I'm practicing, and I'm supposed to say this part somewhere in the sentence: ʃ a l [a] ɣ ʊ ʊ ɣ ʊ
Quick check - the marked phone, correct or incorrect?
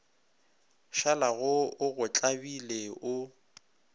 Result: correct